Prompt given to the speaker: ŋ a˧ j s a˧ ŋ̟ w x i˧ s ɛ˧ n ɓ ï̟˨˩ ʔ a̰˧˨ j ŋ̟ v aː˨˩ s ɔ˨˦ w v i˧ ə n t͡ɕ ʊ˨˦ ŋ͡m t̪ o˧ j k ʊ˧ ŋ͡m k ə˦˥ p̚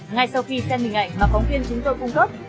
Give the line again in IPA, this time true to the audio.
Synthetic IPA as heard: ŋ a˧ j s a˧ w x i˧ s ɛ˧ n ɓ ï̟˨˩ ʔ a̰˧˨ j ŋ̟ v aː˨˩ f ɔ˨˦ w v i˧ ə n t͡ɕ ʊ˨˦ ŋ͡m t̪ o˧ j k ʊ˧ ŋ͡m k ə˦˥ p̚

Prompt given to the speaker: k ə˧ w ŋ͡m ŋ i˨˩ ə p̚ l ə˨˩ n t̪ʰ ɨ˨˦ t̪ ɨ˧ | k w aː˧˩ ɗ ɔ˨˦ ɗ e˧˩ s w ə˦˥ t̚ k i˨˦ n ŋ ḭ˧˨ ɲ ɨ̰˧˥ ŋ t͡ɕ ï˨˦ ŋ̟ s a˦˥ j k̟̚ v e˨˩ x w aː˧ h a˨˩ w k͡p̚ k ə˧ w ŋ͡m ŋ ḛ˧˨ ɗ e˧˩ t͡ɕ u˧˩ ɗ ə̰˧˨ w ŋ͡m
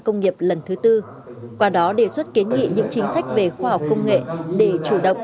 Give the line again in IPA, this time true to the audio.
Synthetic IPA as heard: k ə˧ w ŋ͡m ŋ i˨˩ ə p̚ l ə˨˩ n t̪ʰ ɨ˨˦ t̪ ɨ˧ | k w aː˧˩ ɗ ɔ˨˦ ɗ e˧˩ s w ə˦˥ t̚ k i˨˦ n ŋ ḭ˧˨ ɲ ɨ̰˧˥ ŋ t͡ɕ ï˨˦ ŋ̟ s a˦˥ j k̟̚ v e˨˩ x w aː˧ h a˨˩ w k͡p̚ k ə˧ w ŋ͡m ŋ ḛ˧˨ ɗ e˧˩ t͡ɕ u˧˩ ɗ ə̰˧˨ w ŋ͡m

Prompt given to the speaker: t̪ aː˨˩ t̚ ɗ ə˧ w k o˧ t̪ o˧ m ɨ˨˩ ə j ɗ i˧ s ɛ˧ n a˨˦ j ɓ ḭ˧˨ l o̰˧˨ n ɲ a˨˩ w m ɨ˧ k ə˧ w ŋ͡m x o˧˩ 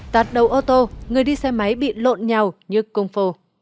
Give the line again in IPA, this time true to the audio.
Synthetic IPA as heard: t̪ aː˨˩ t̚ ɗ ə˨˩ w ʔ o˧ t̪ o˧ ŋ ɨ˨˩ ə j ɗ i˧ s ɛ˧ m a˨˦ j ɓ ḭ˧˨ l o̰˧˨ n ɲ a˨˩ w ɲ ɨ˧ k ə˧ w ŋ͡m f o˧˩

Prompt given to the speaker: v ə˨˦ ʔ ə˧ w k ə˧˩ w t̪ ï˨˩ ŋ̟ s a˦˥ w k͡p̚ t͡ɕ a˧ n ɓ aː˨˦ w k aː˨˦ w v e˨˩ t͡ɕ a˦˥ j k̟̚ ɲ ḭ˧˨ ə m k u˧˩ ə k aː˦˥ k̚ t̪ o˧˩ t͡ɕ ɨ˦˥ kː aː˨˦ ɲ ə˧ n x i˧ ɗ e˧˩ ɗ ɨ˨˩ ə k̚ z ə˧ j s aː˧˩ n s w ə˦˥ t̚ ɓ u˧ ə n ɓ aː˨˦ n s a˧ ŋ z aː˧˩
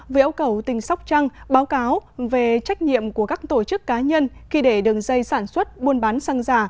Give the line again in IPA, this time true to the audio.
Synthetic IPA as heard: v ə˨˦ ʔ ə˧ w k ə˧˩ w t̪ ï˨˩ ŋ̟ s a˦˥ w k͡p̚ t͡ɕ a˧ ŋ ɓ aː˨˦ w k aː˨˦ w v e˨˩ t͡ɕ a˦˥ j k̟̚ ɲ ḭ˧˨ ə m k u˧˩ ə k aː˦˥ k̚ t̪ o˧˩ t͡ɕ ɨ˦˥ kː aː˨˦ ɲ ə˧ n x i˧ ɗ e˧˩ ɗ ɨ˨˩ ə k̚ z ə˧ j s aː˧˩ n s w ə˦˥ t̚ ɓ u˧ ə n ɓ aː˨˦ n s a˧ ŋ z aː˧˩

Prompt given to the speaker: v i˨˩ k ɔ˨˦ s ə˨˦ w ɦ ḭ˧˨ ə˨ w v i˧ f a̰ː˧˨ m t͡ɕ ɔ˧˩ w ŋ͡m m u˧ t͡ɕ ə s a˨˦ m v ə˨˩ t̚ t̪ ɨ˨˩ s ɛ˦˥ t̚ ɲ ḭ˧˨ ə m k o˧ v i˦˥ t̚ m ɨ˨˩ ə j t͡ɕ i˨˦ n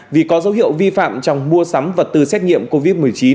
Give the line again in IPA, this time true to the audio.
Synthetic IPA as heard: v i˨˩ k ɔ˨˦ z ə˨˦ w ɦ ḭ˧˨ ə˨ w v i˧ f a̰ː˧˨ m t͡ɕ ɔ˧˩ w ŋ͡m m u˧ ə s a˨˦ m v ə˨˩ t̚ t̪ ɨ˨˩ s ɛ˦˥ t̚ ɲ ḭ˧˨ ə m k o˧ v i˦˥ t̚ m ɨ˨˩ ə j t͡ɕ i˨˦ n

